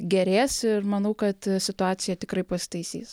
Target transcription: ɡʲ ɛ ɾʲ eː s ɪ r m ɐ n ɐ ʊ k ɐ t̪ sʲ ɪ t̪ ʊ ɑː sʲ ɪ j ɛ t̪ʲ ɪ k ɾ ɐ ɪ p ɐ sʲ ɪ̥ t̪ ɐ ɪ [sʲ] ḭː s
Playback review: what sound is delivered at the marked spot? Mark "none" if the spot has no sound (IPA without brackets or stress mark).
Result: sʲ